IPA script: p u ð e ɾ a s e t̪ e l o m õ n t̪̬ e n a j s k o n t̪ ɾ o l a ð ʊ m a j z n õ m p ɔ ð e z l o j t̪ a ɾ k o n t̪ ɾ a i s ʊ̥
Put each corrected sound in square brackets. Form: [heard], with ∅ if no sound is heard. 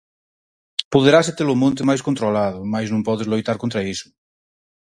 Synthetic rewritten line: p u ð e ɾ a s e t̪ e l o m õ n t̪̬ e [m] a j s k o n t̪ ɾ o l a ð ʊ m a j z n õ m p ɔ ð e z l o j t̪ a ɾ k o n t̪ ɾ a i s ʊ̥

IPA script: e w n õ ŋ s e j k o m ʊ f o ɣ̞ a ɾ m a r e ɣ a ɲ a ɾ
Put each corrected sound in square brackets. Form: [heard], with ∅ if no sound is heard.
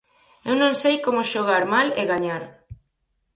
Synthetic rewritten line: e w n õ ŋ s e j k o m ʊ [ʃ] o ɣ̞ a ɾ m a [l] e ɣ a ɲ a ɾ

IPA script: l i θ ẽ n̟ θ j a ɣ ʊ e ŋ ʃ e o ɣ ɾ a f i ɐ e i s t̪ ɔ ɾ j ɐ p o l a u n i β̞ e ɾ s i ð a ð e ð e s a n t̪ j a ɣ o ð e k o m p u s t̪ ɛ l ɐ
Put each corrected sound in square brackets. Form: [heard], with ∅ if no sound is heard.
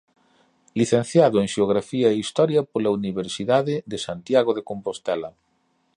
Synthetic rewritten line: l i θ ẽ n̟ θ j a [ð] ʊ e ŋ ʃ e o ɣ ɾ a f i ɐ e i s t̪ ɔ ɾ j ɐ p o l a u n i β̞ e ɾ s i ð a ð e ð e s a n t̪ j a ɣ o ð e k o m p [o] s t̪ ɛ l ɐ

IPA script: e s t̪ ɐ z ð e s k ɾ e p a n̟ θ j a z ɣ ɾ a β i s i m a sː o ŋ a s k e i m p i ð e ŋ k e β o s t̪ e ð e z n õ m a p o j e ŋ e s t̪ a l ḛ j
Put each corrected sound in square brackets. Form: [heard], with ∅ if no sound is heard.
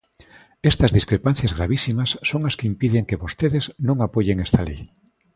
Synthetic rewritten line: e s t̪ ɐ z ð [i] s k ɾ e p a n̟ θ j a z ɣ ɾ a β i s i m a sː o ŋ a s k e i m p i ð e ŋ k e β o s t̪ e ð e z n õ [ŋ] a p o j e ŋ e s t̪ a l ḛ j

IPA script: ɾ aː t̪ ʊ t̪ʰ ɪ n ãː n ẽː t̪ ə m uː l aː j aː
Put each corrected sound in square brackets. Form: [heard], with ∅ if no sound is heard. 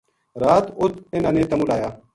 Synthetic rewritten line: ɾ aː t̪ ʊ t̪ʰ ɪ n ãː n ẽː t̪ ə m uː l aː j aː

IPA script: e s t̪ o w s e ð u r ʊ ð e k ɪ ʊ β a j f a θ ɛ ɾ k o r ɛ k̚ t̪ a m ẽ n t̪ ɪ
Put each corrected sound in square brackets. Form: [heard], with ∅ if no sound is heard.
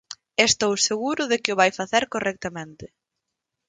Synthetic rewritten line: e s t̪ o w s e [ɣ] u [ɾ] ʊ ð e k ɪ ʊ β a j f a θ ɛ ɾ k o r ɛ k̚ t̪ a m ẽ n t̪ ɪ

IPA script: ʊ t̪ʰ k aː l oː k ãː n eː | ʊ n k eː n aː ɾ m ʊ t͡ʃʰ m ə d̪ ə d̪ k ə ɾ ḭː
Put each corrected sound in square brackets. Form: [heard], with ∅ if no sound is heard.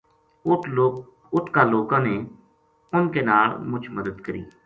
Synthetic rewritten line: ʊ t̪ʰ k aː l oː k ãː n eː | ʊ n k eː n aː [l] m ʊ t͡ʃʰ m ə d̪ ə d̪ k ə ɾ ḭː

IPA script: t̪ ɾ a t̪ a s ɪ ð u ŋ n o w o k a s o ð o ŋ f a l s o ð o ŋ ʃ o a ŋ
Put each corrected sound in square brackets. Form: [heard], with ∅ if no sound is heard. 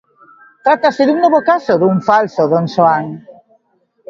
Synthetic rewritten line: t̪ ɾ a t̪ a s ɪ ð u ŋ n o [β] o k a s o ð [u] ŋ f a l s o ð o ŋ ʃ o a ŋ

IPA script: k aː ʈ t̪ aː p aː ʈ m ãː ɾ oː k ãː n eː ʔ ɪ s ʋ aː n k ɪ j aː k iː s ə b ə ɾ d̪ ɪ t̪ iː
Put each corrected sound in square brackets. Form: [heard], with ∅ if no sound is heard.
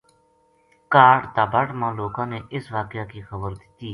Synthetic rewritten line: k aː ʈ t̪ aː [b] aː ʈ m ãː [l] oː k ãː n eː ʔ ɪ s ʋ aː [∅] k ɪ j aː k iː [x] ə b ə ɾ d̪ ɪ t̪ iː

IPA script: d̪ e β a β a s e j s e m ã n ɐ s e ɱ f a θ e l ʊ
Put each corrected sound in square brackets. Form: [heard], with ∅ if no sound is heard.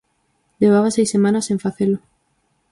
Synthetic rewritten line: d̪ e β a β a s e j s e m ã n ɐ s e ɱ f a θ e l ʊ

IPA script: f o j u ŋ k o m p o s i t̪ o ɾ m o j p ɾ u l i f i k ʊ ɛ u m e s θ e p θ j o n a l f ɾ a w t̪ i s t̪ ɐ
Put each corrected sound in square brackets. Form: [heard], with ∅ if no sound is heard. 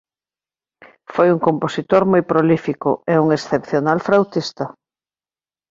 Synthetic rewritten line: f o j u ŋ k o m p o s i t̪ o ɾ m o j p ɾ [o] l i f i k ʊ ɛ u [ŋ] e s θ e p θ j o n a l f ɾ a w t̪ i s t̪ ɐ

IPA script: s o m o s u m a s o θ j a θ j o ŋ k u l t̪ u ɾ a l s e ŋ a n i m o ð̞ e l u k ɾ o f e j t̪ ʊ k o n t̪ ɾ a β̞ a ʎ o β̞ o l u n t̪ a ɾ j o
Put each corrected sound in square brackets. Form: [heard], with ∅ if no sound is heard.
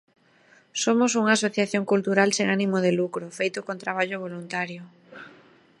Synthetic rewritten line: s o m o s u [ŋ] a s o θ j a θ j o ŋ k u l t̪ u ɾ a l s e ŋ a n i m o ð̞ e l u k ɾ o f e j t̪ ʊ k o n t̪ ɾ a β̞ a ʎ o β̞ o l u n t̪ a ɾ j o

